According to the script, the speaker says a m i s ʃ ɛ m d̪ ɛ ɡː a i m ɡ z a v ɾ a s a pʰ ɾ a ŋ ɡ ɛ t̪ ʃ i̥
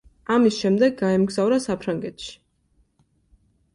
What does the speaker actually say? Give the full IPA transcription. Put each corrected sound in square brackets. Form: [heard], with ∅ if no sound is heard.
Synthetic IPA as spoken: a m i s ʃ ɛ m d̪ ɛ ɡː a [ɛ] m ɡ z a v ɾ a s a pʰ ɾ a ŋ ɡ ɛ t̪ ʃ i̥